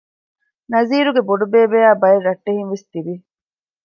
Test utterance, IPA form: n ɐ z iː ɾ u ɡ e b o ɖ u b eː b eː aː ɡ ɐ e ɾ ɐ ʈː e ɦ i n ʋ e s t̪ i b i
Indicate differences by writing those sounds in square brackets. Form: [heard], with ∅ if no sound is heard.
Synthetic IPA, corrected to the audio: n ɐ z iː ɾ u ɡ e b o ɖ u b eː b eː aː [b] ɐ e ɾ ɐ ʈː e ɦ i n ʋ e s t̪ i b i